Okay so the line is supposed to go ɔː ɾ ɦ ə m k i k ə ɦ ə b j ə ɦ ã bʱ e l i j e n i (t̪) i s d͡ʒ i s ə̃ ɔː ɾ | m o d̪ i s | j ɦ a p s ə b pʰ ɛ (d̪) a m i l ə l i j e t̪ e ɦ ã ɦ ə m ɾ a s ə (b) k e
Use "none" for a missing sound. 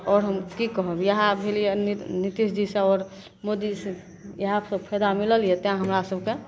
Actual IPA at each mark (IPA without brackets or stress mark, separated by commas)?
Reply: t̪, d̪, b